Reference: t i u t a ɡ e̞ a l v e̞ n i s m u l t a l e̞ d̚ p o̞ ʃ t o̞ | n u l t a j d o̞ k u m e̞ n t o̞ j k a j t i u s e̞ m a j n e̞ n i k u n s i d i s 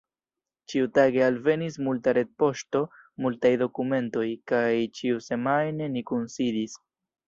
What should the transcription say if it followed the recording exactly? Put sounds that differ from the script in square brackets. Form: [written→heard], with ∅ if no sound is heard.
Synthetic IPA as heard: [t→t͡ʃ] i u t a ɡ e̞ a l v e̞ n i s m u l t a [l→ɾ] e̞ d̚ p o̞ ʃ t o̞ | [n→m] u l t a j d o̞ k u m e̞ n t o̞ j k a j [t→t͡ʃ] i u s e̞ m a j n e̞ n i k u n s i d i s

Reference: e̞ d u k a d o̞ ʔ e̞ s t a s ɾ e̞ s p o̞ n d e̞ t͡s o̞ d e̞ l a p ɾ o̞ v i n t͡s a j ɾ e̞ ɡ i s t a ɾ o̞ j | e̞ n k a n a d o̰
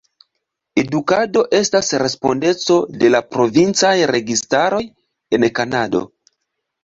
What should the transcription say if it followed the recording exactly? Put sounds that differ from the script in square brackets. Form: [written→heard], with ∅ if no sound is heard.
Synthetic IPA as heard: e̞ d u k a d o̞ ʔ e̞ s t a s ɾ e̞ s p o̞ n d e̞ t͡s o̞ d e̞ l a p ɾ o̞ v i n t͡s a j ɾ e̞ ɡ i s t a ɾ o̞ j | e̞ n k a n a d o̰

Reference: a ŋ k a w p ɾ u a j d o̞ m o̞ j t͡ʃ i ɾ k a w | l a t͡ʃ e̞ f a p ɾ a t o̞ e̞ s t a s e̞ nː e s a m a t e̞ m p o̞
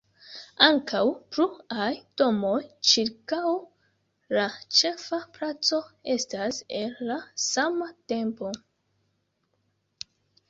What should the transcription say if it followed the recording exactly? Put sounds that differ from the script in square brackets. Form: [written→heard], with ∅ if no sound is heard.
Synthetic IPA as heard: a ŋ k a w p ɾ u a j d o̞ m o̞ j t͡ʃ i ɾ k a w | l a t͡ʃ e̞ f a p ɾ a [t→t͡s] o̞ e̞ s t a s e̞ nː [e→a] s a m a t e̞ m p o̞

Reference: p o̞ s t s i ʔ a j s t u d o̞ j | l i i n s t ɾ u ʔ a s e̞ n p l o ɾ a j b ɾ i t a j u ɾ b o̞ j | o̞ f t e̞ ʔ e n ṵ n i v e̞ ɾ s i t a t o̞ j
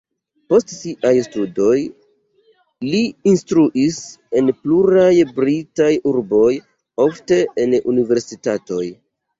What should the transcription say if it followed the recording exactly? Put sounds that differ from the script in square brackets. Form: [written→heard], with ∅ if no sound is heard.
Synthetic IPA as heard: p o̞ s t s i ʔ a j s t u d o̞ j | l i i n s t ɾ u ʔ [a→i] s e̞ n p l [o→u] ɾ a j b ɾ i t a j u ɾ b o̞ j | o̞ f t e̞ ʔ e n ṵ n i v e̞ ɾ s i t a t o̞ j

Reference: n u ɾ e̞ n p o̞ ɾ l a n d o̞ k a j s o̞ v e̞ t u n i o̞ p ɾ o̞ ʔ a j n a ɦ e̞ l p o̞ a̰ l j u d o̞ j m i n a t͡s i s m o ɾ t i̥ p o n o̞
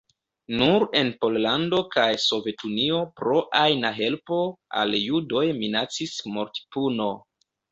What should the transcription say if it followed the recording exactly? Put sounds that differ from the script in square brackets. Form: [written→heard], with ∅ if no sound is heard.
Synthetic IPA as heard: n u ɾ e̞ n p o̞ [ɾ→l] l a n d o̞ k a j s o̞ v e̞ t u n i o̞ p ɾ o̞ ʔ a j n a ɦ e̞ l p o̞ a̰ l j u d o̞ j m i n a t͡s i s m o ɾ t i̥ p [o→u] n o̞

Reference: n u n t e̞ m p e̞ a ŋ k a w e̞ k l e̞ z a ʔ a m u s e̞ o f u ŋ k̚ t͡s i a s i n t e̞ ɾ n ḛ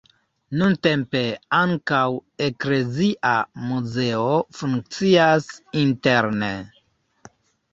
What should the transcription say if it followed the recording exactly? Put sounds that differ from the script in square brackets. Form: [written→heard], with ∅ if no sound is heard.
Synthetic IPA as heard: n u n t e̞ m p e̞ a ŋ k a w e̞ k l e̞ z [a→i] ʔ a m u [s→z] e̞ o f u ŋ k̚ t͡s i a s i n t e̞ ɾ n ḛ

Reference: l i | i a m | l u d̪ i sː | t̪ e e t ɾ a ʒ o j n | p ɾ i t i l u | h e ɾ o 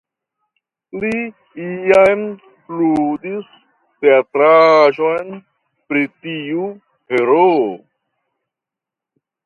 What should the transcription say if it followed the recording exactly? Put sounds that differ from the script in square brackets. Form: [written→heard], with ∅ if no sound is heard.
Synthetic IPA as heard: l i | i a m | l u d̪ i [sː→s] | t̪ e [e→a] t ɾ a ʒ o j n | p ɾ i t i [l→∅] u | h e ɾ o

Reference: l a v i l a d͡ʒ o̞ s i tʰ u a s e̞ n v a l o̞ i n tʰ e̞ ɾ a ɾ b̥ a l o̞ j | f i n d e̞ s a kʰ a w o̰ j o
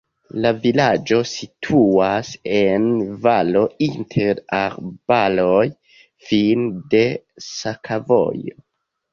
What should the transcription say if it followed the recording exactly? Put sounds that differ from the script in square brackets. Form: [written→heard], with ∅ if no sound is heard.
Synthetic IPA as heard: l a v i l a d͡ʒ o̞ s i tʰ u a s e̞ n v a l o̞ i n tʰ e̞ ɾ a ɾ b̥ a l o̞ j | f i n d e̞ s a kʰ a [w→v] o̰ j o

